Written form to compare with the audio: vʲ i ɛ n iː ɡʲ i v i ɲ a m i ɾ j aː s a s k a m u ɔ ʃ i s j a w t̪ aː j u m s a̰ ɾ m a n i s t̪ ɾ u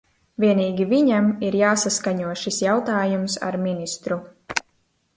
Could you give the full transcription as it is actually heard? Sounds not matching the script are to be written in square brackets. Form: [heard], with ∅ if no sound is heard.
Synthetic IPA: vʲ i ɛ n iː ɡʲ i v i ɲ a m i ɾ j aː s a s k a [ɲ] u ɔ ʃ i s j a w t̪ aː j u m s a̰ ɾ m [i] n i s t̪ ɾ u

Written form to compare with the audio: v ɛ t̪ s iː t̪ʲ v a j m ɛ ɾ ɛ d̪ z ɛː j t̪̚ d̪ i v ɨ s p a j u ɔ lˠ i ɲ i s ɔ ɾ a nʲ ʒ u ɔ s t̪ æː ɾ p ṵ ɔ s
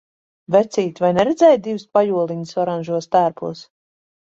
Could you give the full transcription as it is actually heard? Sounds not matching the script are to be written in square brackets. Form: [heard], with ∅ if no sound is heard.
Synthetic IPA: v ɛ t̪ s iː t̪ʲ v a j [n] ɛ ɾ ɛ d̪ z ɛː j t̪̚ d̪ i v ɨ s p a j u ɔ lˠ i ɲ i s ɔ ɾ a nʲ ʒ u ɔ s t̪ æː ɾ p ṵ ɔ s

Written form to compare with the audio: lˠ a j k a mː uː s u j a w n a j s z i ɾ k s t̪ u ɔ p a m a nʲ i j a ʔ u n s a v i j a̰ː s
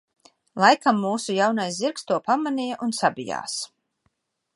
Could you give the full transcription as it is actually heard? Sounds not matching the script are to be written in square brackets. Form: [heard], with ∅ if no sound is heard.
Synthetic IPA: lˠ a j k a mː uː s u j a w n a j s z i ɾ k s t̪ u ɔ p a m a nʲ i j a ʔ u n s a [b] i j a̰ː s

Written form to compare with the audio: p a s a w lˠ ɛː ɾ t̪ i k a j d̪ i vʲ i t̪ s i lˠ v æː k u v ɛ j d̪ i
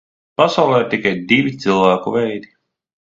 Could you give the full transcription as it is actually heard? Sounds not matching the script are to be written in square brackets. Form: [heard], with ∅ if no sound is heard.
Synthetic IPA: p a s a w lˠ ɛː ɾ t̪ i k a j d̪ i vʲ i t̪ s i lˠ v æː k u v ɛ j d̪ i

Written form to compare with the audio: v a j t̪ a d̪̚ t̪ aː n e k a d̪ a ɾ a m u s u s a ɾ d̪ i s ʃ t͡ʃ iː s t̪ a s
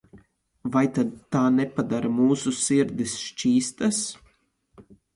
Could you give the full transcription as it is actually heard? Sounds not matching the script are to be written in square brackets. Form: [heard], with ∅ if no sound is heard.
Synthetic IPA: v a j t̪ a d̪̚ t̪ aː n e [p] a d̪ a ɾ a m [uː] s u s [i] ɾ d̪ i s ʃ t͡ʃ iː s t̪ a s

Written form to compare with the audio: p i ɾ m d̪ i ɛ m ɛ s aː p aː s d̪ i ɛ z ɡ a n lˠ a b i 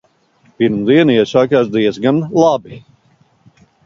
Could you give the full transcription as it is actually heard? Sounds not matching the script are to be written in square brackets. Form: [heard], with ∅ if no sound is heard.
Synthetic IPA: p i ɾ m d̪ i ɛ [n] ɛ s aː [k] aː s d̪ i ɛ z ɡ a n lˠ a b i

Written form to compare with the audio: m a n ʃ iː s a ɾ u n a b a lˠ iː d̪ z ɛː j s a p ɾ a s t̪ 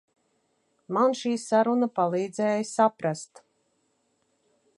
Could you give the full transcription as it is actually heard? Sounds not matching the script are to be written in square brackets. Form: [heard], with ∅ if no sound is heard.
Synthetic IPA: m a n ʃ iː s a ɾ u n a [p] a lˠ iː d̪ z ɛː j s a p ɾ a s t̪

